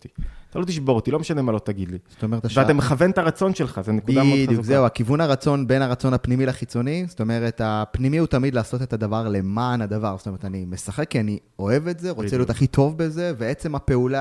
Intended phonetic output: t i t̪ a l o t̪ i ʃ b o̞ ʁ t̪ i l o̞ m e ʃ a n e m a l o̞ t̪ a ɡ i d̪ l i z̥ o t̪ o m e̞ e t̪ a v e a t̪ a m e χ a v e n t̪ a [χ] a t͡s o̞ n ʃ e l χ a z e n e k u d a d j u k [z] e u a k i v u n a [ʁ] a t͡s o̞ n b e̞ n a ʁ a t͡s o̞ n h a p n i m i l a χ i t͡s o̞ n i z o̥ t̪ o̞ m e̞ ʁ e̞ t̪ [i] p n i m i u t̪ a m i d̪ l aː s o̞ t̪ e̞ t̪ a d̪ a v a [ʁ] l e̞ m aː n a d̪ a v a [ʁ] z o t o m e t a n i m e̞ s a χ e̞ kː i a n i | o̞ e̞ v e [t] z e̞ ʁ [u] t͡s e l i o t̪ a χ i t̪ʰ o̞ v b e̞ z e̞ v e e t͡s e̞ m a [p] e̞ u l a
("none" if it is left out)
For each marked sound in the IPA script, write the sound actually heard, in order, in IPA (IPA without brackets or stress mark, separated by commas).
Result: ʁ, z, ʁ, a, ʁ, ʁ, t, o, p